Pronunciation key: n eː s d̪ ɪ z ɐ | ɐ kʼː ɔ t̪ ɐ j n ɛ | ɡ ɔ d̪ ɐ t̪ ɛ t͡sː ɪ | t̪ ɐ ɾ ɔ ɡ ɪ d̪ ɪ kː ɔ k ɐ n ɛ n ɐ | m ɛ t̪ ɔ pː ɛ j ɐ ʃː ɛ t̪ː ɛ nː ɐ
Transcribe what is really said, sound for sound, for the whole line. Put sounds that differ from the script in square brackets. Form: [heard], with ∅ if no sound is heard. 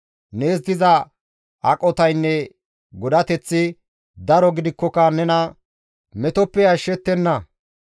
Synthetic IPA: n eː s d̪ ɪ z ɐ | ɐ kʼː ɔ t̪ ɐ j [nː] ɛ | ɡ ɔ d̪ ɐ t̪ ɛ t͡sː ɪ | [d̪] ɐ ɾ ɔ ɡ ɪ d̪ ɪ kː ɔ k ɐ n ɛ n ɐ | m ɛ t̪ ɔ pː ɛ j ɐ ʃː ɛ t̪ː ɛ nː ɐ